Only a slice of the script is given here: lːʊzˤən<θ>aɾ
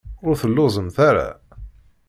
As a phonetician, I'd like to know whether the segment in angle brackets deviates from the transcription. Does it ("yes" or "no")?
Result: no